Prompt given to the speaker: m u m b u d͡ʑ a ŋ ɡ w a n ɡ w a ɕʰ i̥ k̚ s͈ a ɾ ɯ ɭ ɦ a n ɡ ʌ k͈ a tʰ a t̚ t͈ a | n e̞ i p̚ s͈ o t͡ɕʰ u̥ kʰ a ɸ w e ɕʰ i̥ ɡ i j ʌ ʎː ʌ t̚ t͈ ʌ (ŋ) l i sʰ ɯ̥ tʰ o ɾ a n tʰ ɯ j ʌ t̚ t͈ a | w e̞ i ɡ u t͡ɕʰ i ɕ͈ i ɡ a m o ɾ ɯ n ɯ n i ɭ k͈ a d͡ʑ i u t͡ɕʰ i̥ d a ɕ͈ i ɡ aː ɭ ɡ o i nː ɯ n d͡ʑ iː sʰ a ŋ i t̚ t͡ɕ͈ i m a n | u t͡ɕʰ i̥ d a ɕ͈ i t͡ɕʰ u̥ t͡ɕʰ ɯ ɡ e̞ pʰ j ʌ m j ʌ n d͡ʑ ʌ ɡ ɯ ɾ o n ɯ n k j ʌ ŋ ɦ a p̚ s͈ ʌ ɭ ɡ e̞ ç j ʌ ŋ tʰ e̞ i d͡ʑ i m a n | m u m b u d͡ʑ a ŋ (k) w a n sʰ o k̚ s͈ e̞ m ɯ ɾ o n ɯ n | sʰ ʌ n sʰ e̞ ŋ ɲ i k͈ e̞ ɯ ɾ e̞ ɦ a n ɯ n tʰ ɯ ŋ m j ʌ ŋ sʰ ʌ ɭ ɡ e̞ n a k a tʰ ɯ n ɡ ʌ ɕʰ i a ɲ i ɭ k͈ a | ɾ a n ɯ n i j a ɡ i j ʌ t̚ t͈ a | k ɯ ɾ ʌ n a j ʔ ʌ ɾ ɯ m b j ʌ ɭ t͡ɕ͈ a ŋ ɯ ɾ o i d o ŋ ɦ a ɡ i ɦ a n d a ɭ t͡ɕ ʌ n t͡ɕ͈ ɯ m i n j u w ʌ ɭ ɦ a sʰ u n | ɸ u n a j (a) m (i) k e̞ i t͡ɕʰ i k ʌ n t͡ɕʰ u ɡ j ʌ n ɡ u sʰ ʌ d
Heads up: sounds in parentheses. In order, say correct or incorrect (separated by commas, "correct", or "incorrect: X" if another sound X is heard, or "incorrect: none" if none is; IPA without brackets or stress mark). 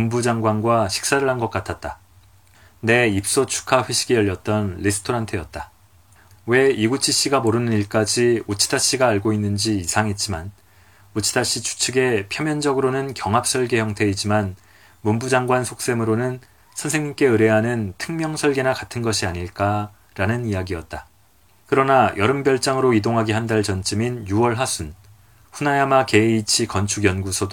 incorrect: n, incorrect: ɡ, correct, incorrect: a